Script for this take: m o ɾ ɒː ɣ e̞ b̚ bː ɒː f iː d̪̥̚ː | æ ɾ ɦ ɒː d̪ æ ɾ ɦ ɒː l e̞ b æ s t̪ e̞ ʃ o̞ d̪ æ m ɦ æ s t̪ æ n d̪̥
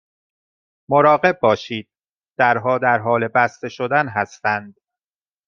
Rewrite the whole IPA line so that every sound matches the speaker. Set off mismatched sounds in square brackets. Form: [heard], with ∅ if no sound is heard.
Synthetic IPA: m o ɾ ɒː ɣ e̞ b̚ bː ɒː [ʃ] iː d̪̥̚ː | æ ɾ ɦ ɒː d̪ æ ɾ ɦ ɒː l e̞ b æ s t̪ e̞ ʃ o̞ d̪ æ [n] ɦ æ s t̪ æ n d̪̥